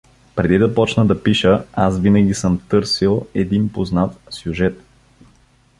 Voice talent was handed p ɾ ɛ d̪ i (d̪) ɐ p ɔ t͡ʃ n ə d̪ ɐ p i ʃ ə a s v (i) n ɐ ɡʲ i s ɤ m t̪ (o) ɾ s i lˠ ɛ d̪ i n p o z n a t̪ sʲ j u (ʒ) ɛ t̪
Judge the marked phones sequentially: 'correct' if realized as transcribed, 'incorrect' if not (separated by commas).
correct, correct, incorrect, correct